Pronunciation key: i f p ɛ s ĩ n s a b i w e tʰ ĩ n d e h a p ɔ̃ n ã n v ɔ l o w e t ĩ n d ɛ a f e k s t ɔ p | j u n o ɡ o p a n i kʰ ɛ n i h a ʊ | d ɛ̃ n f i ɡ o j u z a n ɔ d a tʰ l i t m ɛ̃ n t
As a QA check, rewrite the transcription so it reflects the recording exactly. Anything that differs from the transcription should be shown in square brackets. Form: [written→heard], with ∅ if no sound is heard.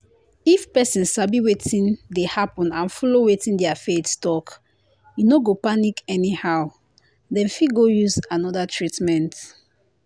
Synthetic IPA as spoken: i f p ɛ s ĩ n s a b i w e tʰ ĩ n d e h a p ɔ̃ n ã n [v→f] ɔ l o w e t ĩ n d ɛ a f e [k→t] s t ɔ [p→k] | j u n o ɡ o p a n i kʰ ɛ n i h a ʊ | d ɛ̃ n f i ɡ o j u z a n ɔ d a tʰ [l→ɹ] i t m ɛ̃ n t